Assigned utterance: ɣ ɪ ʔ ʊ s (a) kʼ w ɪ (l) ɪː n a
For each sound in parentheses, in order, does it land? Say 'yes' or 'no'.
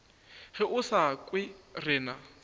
yes, no

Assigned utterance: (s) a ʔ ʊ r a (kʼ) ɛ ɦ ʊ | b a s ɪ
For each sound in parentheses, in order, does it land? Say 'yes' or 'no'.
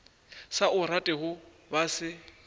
yes, no

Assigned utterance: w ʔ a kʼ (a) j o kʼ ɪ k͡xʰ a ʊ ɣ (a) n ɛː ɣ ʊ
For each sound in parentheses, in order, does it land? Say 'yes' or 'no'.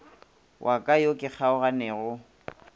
yes, yes

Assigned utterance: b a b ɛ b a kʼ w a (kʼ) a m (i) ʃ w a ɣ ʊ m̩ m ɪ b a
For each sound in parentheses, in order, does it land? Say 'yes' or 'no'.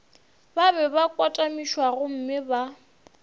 no, yes

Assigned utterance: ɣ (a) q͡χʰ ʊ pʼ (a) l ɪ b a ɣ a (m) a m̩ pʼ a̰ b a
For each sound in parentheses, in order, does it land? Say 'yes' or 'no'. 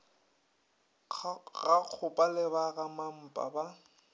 yes, yes, yes

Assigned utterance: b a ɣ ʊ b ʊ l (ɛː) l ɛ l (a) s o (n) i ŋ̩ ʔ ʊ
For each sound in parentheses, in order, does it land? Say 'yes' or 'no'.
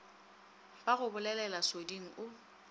no, yes, no

